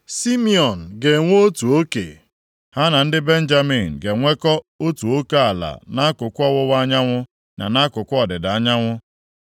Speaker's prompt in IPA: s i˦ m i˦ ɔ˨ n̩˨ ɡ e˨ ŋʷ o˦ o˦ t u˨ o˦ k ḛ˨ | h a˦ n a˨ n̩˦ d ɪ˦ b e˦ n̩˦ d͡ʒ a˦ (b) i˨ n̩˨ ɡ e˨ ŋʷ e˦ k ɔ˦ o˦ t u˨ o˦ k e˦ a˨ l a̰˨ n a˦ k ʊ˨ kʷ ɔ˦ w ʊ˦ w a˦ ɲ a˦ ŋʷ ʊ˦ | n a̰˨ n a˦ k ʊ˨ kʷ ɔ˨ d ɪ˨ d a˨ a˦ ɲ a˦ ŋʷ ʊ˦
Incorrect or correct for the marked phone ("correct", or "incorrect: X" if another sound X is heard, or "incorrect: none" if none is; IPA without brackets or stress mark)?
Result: incorrect: m